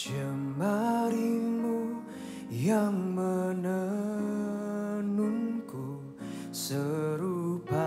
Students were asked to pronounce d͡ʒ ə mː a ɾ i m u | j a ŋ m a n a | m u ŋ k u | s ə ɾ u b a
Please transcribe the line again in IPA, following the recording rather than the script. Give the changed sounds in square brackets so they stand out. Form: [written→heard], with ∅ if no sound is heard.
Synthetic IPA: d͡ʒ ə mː a ɾ i m u | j a ŋ m [a→ə] n [a→ə] | [m→n] u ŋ k u | s ə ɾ u [b→p] a